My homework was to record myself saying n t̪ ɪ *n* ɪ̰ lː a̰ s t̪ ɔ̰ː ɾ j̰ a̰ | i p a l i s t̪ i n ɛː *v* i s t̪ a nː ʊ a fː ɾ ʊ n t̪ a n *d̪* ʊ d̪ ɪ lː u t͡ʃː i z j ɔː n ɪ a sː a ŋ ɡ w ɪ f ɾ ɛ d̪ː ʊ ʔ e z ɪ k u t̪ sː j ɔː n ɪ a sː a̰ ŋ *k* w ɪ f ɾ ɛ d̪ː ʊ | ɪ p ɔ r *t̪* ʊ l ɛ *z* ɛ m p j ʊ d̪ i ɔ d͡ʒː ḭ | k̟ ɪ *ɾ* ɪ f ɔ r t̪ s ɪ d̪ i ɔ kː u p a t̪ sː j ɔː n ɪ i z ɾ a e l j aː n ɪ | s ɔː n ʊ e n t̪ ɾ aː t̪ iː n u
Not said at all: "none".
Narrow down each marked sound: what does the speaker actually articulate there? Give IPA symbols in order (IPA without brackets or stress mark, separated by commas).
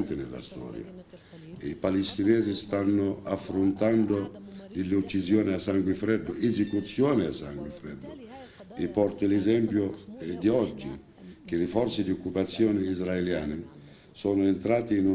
n, z, d̪, ɡ, t̪, z, l